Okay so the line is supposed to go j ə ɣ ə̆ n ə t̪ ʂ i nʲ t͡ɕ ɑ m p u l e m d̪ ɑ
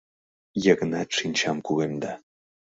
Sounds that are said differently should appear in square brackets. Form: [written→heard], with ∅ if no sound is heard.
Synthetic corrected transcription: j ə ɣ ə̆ n [ə→ɑ] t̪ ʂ i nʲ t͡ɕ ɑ m [p→k] u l e m d̪ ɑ

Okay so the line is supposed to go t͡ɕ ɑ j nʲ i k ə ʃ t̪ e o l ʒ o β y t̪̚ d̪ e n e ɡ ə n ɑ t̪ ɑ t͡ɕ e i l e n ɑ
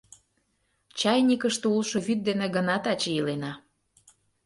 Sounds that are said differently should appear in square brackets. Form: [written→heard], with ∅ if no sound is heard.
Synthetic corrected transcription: t͡ɕ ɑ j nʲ i k ə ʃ t̪ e [o→u] l [ʒ→ʃ] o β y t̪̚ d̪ e n e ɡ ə n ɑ t̪ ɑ t͡ɕ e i l e n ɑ

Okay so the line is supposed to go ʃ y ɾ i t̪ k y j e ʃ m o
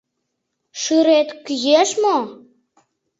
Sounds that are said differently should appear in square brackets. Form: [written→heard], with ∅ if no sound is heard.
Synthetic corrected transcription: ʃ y ɾ [i→e] t̪ k y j e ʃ m o

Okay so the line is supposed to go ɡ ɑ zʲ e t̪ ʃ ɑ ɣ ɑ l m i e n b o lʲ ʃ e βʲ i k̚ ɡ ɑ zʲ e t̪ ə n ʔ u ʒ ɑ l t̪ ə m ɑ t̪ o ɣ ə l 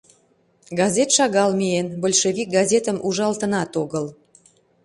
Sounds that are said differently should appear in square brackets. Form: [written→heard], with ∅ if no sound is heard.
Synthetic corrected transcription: ɡ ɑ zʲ e t̪ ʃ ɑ ɣ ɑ l m i e n b o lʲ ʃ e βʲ i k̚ ɡ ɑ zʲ e t̪ ə [n→m] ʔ u ʒ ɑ l t̪ ə [m→n] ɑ t̪ o ɣ ə l

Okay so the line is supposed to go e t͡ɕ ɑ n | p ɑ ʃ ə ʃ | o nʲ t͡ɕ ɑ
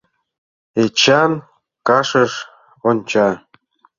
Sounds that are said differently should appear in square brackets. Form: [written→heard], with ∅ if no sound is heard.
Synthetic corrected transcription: e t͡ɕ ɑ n | [p→k] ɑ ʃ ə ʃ | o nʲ t͡ɕ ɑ

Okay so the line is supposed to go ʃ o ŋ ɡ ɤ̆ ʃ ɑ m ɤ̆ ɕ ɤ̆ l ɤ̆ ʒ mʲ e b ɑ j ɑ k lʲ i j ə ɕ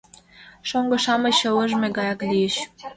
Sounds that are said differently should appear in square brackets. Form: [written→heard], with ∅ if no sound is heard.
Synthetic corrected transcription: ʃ o ŋ ɡ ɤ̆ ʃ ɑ m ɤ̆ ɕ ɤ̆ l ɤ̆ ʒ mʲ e [b→ɡ] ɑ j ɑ k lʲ i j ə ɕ

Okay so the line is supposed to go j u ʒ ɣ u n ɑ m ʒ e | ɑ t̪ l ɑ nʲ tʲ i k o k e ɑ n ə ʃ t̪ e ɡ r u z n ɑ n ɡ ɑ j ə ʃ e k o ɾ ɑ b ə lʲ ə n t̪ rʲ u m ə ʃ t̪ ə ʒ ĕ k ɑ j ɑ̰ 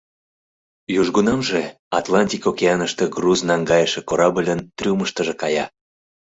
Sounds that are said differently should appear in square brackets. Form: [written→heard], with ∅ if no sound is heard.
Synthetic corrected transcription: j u ʒ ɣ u n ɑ m ʒ e | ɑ t̪ l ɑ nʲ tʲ i k o k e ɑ n ə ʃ t̪ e ɡ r u z n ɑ [n→ŋ] ɡ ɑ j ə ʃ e k o ɾ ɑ b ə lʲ ə n t̪ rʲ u m ə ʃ t̪ ə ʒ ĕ k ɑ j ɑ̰

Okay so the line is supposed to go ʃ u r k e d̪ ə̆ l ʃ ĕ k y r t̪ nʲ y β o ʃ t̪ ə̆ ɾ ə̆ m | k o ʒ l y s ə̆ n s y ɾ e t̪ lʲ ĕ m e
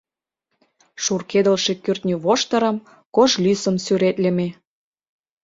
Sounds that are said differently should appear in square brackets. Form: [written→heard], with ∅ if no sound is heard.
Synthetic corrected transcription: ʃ u r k e d̪ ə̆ l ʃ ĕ k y r t̪ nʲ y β o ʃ t̪ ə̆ ɾ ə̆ m | k o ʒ l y s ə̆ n s y ɾ e t̪ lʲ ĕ m e

